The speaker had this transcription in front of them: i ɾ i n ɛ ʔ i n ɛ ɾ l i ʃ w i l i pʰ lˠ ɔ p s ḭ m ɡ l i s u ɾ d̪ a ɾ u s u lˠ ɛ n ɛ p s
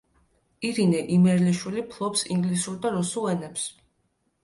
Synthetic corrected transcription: i ɾ i n ɛ ʔ i m ɛ ɾ l i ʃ w i l i pʰ lˠ ɔ p s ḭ ŋ ɡ l i s u ɾ d̪ a ɾ u s u lˠ ɛ n ɛ p s